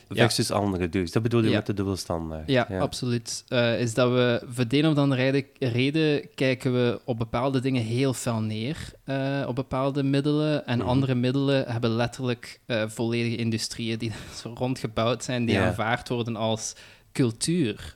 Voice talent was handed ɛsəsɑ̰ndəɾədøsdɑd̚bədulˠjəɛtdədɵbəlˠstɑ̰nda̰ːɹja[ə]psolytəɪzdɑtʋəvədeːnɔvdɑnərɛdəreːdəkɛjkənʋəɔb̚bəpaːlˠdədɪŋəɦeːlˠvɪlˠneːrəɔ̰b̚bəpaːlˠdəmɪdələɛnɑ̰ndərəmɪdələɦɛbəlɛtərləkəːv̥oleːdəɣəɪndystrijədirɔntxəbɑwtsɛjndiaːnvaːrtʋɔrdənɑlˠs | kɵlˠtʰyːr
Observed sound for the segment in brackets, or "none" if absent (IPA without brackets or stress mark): ɑ